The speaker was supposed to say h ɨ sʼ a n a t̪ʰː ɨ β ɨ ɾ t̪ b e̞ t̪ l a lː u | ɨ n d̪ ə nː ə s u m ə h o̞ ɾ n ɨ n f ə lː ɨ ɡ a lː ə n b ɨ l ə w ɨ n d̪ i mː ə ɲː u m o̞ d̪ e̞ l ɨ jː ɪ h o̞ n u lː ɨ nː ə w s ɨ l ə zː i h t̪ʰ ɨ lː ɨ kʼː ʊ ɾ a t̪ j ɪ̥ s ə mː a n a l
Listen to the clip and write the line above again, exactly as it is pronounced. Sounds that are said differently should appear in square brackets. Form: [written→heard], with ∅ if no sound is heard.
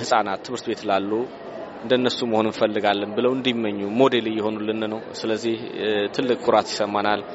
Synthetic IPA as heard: h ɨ sʼ a n a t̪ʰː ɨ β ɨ ɾ t̪ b e̞ t̪ l a lː u | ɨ n d̪ ə nː ə s u m ə h o̞ [ɾ→∅] n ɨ n f ə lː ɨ ɡ a lː ə n b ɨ l ə w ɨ n d̪ i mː ə ɲː u m o̞ d̪ e̞ l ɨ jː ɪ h o̞ n u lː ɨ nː ə w s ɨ l ə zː i h t̪ʰ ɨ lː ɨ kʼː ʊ ɾ a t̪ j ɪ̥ s ə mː a n a l